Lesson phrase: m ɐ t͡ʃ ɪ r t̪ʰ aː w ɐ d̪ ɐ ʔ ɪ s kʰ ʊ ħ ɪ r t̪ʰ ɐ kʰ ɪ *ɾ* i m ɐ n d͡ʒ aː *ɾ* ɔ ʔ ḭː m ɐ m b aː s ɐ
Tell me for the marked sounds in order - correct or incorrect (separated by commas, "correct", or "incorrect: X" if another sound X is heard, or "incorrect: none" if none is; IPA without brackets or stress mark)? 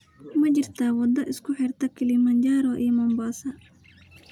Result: incorrect: l, correct